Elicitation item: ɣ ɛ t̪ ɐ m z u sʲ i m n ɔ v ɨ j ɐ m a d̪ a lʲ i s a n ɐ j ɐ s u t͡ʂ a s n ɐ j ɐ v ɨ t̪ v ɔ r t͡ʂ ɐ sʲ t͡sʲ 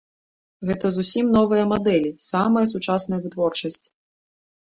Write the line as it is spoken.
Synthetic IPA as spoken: ɣ ɛ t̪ ɐ z u sʲ i m n ɔ v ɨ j ɐ m a d̪ ɛ lʲ i s a m ɐ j ɐ s u t͡ʂ a s n ɐ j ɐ v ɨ t̪ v ɔ r t͡ʂ ɐ sʲ t͡sʲ